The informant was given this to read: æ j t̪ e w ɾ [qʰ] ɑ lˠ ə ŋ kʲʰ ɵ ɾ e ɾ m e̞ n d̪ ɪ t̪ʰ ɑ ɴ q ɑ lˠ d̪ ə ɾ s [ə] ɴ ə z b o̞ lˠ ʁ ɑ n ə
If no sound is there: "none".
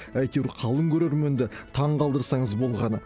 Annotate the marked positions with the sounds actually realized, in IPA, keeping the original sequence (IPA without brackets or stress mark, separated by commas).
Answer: qʰ, ɑ